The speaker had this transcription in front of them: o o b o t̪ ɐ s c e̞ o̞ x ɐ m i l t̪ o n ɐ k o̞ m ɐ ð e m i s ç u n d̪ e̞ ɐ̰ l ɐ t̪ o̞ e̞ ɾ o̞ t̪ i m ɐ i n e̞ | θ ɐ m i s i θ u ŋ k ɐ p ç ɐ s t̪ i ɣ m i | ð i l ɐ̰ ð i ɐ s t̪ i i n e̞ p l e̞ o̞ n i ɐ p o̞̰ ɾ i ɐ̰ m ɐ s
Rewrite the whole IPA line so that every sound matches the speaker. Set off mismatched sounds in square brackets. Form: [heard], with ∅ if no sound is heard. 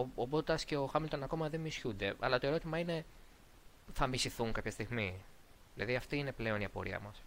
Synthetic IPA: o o b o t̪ ɐ s c e̞ o̞ x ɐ m i l t̪ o n ɐ k o̞ m ɐ ð e m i s ç u n d̪ e̞ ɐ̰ l ɐ t̪ o̞ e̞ ɾ o̞ t̪ i m ɐ i n e̞ | θ ɐ m i s i θ u ŋ k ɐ p ç ɐ s t̪ i ɣ m i | ð i l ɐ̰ ð i ɐ [f] t̪ i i n e̞ p l e̞ o̞ n i ɐ p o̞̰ ɾ i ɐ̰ m ɐ s